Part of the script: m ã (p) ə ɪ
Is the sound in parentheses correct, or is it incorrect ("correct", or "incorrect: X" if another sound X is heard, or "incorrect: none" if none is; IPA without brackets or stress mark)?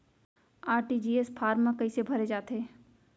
incorrect: k